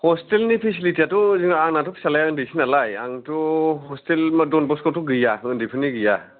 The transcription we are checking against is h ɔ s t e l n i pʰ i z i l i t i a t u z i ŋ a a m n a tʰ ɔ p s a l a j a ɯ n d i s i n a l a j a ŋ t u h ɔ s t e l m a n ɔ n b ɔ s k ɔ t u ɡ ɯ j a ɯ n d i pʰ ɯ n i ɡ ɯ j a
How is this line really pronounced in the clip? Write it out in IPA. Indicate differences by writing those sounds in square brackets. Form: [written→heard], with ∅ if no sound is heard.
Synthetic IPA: h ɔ s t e l n i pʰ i [z→s] i l i t i a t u z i ŋ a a [m→ŋ] n a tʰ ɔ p s a l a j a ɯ n d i s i n a l a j a ŋ t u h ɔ s t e l m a [n→d] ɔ n b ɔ s k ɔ t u ɡ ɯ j a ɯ n d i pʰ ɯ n i ɡ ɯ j a

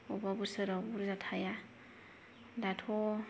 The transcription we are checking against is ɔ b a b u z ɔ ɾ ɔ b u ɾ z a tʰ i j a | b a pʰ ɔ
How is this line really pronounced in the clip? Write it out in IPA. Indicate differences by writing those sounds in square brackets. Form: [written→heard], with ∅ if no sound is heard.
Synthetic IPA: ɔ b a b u [z→s] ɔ ɾ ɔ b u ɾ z a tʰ [i→a] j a | [b→d] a [pʰ→tʰ] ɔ

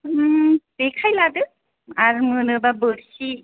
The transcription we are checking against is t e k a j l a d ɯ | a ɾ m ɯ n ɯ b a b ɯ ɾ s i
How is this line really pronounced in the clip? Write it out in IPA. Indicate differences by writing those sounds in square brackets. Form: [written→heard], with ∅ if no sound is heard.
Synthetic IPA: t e [k→kʰ] a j l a d ɯ | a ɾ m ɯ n ɯ b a b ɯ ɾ s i

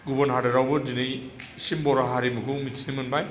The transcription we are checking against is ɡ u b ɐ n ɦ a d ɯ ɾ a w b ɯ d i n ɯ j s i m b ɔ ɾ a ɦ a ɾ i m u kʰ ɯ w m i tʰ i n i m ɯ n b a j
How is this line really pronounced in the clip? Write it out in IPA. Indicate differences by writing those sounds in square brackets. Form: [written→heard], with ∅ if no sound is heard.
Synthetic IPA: ɡ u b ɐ n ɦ a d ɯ ɾ a w b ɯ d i n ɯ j s i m b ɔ ɾ a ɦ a ɾ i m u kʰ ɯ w m i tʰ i n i m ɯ n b a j

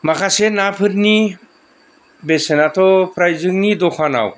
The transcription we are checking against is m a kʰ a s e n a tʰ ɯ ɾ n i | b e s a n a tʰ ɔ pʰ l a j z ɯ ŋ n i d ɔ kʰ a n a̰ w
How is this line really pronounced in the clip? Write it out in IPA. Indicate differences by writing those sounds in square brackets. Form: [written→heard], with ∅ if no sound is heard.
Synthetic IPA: m a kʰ a s e n a [tʰ→pʰ] ɯ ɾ n i | b e s [a→e] n a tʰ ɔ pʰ [l→ɾ] a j z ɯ ŋ n i d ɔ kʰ a n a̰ w

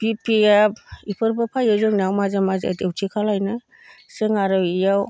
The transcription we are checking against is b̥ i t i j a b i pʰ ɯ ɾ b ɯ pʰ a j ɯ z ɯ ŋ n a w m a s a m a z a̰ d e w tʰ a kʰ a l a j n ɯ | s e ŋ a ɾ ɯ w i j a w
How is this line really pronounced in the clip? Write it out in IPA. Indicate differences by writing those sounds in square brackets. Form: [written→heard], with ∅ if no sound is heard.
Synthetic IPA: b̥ i [t→p] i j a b i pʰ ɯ ɾ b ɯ pʰ a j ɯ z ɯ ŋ n a w m a [s→z] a m a z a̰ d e w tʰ [a→i] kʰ a l a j n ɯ | s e ŋ a ɾ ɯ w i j a w

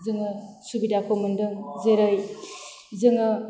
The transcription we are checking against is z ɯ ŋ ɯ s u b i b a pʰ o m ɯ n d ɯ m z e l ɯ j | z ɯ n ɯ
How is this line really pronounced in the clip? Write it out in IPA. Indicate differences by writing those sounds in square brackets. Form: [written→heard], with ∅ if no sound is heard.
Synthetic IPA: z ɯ ŋ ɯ s u b i [b→d] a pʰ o m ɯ n d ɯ [m→ŋ] z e [l→ɾ] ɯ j | z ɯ [n→ŋ] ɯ

